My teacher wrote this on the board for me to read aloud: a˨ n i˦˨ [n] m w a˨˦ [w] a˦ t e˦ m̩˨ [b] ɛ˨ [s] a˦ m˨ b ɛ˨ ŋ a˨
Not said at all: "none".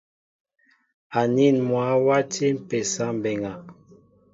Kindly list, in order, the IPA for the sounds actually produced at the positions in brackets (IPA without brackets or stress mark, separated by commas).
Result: n, w, p, s